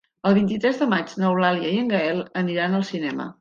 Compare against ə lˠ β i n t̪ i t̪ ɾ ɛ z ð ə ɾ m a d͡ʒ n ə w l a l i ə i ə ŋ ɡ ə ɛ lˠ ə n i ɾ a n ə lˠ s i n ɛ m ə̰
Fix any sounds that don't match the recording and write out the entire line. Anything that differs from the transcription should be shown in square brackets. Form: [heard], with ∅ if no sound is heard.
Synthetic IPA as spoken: ə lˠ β i n t̪ i t̪ ɾ ɛ z ð ə [∅] m a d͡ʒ n ə w l a l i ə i ə ŋ ɡ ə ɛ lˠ ə n i ɾ a n ə lˠ s i n ɛ m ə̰